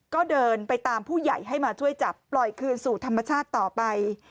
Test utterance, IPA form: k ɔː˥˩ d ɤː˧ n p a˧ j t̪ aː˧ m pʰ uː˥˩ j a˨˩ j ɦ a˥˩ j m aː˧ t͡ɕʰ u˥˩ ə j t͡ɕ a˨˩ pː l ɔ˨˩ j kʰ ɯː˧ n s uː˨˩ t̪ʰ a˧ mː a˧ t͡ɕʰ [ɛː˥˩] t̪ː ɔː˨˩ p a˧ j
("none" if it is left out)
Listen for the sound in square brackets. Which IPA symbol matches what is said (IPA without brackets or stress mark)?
aː˥˩